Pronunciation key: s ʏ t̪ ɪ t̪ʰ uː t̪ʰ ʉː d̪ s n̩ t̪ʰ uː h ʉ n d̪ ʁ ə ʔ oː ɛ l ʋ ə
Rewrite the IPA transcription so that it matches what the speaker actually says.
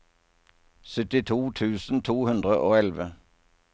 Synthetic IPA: s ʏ t̪ ɪ t̪ʰ uː t̪ʰ ʉː s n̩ t̪ʰ uː h ʉ n d̪ ʁ ə ʔ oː ɛ l ʋ ə